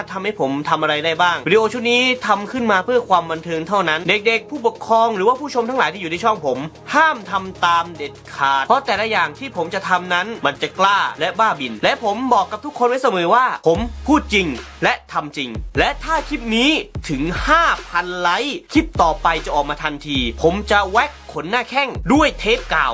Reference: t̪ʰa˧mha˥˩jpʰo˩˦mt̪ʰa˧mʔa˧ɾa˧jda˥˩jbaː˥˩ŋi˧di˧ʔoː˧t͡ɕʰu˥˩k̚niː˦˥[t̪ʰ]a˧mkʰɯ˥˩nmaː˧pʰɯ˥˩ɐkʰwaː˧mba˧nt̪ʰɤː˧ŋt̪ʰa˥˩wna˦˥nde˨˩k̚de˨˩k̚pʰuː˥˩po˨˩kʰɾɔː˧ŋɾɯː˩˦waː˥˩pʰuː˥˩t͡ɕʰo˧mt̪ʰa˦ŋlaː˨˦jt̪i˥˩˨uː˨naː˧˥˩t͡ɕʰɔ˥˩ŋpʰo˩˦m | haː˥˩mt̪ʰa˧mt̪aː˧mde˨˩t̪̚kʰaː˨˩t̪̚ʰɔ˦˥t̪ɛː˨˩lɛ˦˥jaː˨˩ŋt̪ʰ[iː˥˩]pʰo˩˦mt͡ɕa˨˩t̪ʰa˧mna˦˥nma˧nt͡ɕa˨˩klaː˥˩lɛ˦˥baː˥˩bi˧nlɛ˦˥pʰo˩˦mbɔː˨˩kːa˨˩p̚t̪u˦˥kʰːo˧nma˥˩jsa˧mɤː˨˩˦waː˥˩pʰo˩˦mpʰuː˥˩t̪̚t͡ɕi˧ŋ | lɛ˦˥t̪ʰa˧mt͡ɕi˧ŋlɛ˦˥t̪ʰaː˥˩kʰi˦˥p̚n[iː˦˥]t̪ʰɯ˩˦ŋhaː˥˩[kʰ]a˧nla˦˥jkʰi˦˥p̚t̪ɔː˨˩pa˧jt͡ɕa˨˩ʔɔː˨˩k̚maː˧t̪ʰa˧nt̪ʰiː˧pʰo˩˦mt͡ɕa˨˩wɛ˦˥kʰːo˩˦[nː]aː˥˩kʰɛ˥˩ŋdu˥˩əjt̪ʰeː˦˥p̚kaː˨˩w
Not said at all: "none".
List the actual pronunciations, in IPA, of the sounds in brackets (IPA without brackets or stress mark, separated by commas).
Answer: t̪ʰ, iː˥˩, iː˦˥, pʰ, nː